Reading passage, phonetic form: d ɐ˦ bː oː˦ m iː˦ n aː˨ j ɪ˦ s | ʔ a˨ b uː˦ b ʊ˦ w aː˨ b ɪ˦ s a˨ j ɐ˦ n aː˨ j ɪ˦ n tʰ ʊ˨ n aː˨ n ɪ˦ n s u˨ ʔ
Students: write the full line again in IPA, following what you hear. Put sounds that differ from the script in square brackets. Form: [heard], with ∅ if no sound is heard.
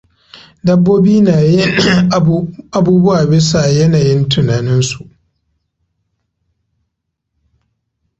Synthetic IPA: d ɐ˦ bː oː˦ [b] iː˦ n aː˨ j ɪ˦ [∅] | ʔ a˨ b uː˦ b ʊ˦ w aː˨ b ɪ˦ s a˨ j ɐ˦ n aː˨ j ɪ˦ n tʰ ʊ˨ n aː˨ n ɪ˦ n s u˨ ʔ